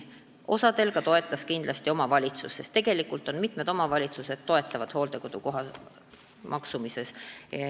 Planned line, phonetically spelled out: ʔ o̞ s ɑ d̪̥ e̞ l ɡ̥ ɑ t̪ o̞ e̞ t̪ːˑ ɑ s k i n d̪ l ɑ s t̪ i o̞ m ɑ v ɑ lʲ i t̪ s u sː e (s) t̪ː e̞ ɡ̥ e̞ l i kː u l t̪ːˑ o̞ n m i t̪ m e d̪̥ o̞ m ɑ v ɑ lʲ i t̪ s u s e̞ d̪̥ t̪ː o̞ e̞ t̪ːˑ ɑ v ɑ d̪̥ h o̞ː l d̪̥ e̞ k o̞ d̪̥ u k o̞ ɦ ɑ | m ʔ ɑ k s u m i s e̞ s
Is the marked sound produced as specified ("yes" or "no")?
yes